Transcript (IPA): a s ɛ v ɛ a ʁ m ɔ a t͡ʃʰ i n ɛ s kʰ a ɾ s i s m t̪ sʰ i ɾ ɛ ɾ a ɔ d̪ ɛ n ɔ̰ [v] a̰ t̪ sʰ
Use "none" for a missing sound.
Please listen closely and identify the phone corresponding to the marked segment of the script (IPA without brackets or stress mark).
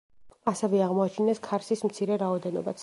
b